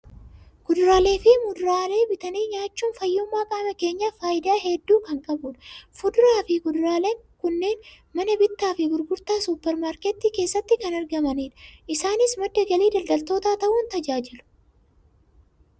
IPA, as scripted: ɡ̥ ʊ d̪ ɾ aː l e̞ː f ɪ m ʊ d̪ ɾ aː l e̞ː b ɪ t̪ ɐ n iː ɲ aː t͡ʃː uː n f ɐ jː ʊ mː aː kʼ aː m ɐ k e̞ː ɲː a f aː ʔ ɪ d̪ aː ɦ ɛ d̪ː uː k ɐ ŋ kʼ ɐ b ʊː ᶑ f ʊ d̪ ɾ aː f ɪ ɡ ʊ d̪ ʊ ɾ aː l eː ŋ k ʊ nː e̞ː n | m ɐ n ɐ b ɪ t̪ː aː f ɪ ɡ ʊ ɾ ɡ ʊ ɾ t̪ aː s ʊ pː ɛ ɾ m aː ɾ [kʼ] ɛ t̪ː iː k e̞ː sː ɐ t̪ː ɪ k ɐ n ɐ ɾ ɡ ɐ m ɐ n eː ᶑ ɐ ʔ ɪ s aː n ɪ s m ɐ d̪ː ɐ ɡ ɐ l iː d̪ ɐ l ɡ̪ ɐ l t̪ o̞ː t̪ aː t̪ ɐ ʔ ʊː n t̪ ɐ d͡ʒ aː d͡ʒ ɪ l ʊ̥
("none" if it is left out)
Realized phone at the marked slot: k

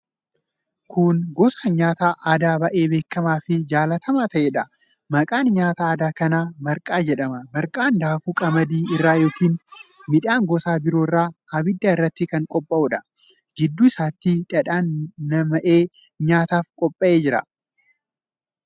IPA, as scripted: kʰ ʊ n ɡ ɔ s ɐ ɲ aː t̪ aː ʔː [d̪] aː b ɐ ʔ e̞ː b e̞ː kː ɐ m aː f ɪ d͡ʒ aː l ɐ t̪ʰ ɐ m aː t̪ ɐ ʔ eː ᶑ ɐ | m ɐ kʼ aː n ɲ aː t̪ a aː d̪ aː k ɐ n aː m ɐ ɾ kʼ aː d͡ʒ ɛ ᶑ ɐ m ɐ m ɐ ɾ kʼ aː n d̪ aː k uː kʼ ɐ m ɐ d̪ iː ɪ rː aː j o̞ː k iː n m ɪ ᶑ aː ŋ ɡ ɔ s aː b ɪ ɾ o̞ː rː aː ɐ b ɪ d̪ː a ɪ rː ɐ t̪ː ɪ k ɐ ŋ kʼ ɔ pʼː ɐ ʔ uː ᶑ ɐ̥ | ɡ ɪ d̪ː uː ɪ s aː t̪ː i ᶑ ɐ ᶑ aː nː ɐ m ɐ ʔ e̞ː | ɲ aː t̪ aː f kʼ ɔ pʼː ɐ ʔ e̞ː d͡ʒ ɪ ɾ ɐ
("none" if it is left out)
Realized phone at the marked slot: d̪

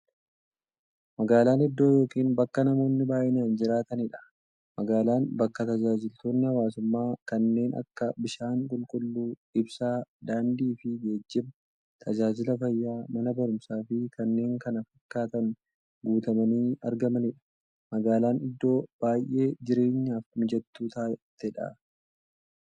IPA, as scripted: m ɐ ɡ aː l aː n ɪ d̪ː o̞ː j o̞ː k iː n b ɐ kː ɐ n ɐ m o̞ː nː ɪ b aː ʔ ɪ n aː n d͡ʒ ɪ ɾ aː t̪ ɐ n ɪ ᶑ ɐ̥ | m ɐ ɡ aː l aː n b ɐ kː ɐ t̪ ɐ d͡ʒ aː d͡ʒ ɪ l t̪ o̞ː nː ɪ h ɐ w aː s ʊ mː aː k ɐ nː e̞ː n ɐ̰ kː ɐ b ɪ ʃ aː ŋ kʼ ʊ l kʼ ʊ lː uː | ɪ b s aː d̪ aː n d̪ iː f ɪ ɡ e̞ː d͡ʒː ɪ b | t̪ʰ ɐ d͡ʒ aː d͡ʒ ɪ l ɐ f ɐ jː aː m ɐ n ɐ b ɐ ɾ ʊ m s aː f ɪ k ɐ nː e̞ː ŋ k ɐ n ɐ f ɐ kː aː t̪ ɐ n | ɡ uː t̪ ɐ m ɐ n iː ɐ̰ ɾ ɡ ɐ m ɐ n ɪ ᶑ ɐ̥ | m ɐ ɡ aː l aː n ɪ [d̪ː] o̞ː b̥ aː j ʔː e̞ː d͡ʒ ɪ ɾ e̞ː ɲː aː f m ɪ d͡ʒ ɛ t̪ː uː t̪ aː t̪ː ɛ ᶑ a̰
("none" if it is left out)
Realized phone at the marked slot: d̪ː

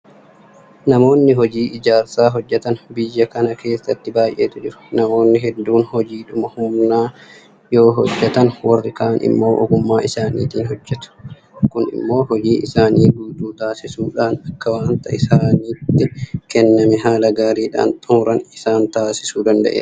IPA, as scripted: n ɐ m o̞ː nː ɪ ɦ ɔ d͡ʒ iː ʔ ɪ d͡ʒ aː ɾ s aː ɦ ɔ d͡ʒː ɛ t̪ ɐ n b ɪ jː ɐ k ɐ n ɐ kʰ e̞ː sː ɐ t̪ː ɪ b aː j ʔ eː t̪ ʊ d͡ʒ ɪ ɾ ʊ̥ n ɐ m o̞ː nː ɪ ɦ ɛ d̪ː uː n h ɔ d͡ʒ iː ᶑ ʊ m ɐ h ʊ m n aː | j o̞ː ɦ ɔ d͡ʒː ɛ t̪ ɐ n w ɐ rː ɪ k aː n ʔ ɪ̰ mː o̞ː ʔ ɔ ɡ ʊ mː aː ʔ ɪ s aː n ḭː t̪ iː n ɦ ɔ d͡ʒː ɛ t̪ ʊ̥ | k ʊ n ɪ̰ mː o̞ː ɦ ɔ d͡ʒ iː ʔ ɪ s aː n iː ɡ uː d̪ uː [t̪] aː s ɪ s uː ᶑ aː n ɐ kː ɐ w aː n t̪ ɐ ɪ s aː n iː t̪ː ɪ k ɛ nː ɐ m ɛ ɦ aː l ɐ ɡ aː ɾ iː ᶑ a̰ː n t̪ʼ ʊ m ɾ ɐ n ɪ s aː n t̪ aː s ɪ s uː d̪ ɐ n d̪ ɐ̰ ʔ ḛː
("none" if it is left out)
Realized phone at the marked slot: t̪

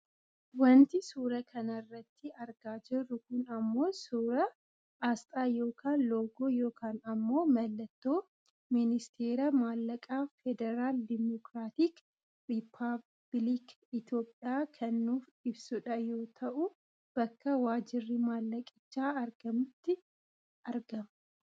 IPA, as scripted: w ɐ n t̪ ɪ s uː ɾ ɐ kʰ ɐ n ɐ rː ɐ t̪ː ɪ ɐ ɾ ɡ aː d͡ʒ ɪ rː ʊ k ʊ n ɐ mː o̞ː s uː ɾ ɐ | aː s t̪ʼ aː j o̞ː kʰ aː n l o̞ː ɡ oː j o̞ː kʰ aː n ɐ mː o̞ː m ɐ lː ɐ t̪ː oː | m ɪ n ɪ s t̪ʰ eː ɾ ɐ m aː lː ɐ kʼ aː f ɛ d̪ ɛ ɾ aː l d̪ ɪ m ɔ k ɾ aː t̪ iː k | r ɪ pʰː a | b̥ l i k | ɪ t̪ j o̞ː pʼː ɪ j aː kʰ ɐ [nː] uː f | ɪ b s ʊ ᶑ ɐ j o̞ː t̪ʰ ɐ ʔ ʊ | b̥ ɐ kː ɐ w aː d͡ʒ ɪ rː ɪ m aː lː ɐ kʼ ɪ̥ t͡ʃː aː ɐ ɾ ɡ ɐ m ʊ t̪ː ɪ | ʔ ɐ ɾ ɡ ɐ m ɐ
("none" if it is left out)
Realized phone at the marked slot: nː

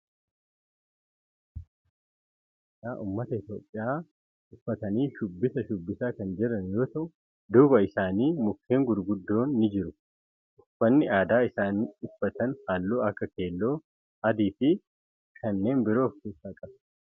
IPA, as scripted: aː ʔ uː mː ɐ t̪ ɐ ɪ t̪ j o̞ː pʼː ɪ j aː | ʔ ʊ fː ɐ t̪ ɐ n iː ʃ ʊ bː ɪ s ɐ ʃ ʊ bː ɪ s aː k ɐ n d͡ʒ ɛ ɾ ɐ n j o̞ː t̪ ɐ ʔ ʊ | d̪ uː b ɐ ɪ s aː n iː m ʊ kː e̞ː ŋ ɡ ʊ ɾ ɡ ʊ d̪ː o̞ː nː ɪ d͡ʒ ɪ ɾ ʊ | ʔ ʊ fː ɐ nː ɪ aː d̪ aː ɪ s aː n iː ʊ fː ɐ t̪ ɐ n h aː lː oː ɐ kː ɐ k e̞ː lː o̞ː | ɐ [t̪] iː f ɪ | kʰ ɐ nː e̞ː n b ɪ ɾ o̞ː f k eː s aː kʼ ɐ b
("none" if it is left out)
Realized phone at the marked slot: d̪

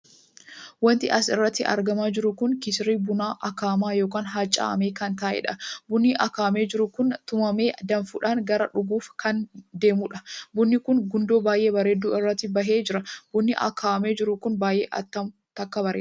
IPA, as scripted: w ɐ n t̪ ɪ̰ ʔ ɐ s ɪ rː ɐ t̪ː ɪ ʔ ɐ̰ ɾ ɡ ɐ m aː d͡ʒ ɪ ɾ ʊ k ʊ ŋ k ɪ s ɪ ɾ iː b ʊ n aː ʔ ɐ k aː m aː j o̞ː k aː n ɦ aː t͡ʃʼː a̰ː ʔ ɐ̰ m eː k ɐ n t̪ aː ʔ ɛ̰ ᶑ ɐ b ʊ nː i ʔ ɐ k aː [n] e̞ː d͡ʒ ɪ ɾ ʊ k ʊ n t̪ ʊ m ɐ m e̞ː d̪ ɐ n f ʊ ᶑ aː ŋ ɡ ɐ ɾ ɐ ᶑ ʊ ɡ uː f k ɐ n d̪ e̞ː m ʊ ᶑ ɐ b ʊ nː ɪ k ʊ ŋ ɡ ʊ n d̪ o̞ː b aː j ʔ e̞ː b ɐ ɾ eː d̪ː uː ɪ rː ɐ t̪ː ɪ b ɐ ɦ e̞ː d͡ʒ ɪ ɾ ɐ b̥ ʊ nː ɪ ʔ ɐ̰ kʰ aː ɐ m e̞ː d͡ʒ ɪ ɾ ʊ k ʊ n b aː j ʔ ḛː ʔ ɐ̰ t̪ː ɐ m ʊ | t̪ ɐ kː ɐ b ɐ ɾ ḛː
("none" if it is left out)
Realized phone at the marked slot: m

